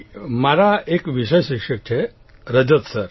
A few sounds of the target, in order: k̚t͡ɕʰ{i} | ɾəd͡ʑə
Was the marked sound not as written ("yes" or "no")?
yes